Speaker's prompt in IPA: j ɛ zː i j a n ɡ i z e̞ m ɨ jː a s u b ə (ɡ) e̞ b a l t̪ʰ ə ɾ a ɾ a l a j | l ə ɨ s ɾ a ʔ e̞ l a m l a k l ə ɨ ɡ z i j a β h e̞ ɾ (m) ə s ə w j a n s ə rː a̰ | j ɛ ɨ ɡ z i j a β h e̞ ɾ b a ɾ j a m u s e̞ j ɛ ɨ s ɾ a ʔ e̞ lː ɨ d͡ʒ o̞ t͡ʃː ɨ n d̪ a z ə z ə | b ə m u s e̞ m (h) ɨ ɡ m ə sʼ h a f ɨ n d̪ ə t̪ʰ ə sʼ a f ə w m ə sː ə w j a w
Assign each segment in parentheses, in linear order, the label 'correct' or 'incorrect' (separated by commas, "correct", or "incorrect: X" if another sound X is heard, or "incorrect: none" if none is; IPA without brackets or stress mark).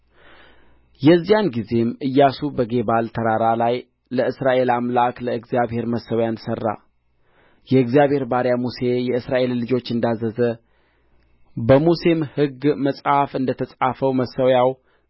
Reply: correct, correct, correct